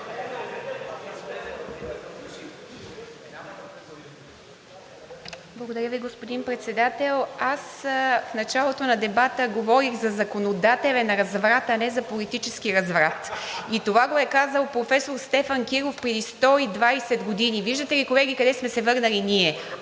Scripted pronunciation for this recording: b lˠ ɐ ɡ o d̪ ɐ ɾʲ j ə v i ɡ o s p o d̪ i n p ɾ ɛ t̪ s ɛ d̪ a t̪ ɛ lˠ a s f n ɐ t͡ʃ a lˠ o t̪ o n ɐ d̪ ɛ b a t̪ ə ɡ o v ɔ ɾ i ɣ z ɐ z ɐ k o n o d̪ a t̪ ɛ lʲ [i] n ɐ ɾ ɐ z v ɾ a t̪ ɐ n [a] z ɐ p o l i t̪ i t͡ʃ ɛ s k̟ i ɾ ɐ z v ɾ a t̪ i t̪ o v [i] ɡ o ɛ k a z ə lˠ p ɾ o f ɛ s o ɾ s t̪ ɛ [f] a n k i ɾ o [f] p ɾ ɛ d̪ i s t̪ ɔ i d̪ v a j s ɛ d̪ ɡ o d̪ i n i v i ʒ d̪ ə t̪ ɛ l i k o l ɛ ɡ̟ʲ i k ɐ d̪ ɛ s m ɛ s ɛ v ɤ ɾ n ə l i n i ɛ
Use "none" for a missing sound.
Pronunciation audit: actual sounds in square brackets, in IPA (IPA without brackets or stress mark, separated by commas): ɛ, ɛ, a, f, f